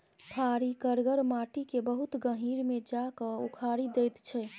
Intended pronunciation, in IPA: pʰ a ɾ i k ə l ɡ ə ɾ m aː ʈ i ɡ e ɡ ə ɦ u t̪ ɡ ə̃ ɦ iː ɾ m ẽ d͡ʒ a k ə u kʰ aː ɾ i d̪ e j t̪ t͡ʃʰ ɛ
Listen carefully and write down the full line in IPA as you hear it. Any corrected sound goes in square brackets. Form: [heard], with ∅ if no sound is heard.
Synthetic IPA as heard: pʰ a ɾ i k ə [ɾ] ɡ ə ɾ m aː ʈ i [k] e [b] ə ɦ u t̪ ɡ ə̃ ɦ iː ɾ m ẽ d͡ʒ a k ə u kʰ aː ɾ i d̪ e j t̪ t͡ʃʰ ɛ